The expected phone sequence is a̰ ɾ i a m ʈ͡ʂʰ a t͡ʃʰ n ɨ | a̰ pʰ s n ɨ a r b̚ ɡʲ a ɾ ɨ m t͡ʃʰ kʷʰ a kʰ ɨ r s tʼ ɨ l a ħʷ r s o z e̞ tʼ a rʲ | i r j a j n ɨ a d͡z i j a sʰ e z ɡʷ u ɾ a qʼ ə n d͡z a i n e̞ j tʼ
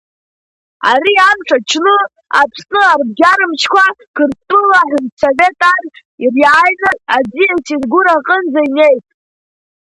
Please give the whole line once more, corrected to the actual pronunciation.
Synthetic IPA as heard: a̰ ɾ i a m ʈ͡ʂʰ a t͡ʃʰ n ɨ | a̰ pʰ s n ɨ a r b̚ ɡʲ a ɾ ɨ m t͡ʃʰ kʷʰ a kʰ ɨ r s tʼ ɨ l a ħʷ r s o v e̞ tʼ a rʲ | i r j a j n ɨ a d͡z i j a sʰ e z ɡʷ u ɾ a qʼ ə n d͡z a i n e̞ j tʼ